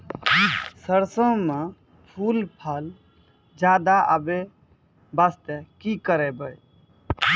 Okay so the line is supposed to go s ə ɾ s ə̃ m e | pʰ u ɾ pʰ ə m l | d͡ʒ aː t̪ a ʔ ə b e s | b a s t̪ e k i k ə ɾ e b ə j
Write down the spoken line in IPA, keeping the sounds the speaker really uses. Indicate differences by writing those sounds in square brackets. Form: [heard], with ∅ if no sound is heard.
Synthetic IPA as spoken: s ə ɾ s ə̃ m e | pʰ u [l] pʰ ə [∅] l | d͡ʒ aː [d̪] a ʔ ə b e [∅] | b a s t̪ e k i k ə ɾ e b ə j